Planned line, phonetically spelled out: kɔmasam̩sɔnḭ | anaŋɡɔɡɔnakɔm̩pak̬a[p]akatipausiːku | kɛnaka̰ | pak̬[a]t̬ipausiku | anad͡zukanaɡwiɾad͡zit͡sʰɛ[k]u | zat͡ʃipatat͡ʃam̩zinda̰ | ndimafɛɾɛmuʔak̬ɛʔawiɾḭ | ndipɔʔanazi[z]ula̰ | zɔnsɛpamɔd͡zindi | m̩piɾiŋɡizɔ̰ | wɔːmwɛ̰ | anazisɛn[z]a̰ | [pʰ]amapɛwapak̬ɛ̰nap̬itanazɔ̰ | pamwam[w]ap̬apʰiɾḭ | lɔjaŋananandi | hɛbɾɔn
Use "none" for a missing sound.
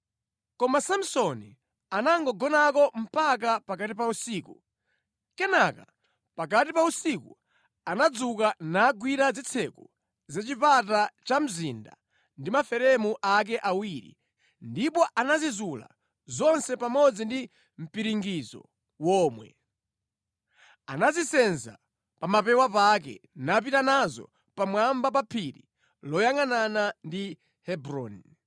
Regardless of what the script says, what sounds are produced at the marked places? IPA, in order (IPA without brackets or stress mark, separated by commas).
p, a, k, z, z, p, b